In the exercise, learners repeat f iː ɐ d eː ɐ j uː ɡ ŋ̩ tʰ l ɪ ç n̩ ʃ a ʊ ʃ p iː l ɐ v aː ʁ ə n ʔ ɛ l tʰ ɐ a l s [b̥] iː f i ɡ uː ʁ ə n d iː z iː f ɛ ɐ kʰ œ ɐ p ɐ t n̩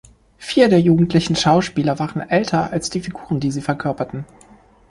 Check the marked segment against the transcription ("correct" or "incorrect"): incorrect